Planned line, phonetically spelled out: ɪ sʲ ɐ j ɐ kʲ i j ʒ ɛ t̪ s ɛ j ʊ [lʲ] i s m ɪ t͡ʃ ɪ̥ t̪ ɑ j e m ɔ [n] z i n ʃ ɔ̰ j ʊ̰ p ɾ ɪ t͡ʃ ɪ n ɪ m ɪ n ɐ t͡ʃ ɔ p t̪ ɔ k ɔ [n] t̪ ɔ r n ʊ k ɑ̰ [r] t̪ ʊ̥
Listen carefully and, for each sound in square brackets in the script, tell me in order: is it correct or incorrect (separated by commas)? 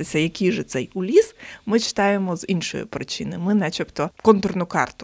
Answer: correct, incorrect, correct, correct